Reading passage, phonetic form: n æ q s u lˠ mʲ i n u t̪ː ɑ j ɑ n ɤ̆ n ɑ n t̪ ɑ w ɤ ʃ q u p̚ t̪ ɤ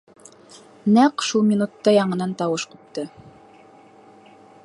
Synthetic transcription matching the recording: n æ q ʃ u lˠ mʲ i n u t̪ː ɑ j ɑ ɴ ɤ̆ n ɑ n t̪ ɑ w ɤ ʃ q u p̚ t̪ ɤ